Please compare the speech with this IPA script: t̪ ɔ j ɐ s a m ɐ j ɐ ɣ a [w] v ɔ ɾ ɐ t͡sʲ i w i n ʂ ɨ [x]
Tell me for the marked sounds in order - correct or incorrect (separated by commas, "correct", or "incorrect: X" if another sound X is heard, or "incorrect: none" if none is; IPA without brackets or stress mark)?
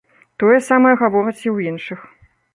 incorrect: none, correct